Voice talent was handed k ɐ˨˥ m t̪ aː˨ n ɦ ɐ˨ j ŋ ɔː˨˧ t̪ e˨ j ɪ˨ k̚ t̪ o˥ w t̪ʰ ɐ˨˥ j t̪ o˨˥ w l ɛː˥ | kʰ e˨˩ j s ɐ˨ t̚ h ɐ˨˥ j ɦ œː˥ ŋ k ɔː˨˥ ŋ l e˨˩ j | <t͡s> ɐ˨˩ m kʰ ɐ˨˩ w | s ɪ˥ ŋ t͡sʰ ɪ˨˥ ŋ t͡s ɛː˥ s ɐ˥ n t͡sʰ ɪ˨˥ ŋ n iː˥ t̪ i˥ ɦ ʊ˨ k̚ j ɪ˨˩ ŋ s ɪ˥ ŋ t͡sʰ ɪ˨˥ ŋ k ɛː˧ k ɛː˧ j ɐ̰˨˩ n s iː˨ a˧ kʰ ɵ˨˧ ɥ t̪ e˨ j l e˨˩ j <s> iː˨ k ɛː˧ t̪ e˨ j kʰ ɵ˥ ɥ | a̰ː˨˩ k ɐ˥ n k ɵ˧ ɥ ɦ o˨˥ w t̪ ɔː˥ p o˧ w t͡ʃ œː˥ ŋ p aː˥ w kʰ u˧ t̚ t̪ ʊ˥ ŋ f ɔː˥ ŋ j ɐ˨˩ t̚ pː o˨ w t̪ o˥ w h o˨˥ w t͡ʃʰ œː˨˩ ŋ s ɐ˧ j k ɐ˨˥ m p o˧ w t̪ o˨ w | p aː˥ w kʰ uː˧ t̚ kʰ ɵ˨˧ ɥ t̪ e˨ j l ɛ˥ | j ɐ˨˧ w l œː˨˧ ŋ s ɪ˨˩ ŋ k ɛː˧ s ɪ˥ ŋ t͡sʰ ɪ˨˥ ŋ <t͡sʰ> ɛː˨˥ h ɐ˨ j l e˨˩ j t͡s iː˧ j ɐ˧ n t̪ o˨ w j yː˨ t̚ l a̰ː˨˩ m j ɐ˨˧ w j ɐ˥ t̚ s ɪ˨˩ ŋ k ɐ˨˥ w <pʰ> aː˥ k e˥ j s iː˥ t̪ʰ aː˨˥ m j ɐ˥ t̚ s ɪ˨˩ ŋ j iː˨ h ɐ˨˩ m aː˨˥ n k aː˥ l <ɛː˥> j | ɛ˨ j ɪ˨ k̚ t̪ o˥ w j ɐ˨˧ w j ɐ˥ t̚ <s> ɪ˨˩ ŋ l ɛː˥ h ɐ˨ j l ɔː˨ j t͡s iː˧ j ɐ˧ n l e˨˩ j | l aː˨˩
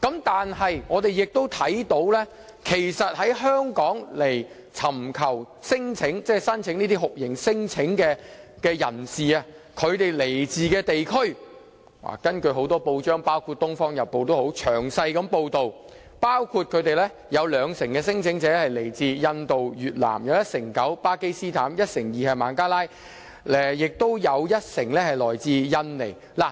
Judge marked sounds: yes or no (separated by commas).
no, no, no, no, no, yes